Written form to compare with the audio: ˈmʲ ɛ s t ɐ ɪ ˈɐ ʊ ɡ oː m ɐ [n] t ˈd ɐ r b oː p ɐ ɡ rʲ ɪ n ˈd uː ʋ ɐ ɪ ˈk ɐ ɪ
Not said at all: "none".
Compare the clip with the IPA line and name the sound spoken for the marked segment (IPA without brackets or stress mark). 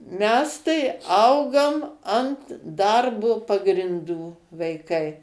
n